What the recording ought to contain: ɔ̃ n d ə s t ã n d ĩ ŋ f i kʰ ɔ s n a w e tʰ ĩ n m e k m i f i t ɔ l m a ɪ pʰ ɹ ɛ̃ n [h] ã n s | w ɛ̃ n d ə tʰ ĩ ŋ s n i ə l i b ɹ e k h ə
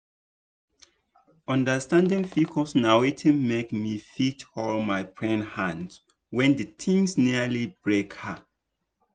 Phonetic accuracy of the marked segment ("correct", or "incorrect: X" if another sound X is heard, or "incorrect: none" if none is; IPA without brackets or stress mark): correct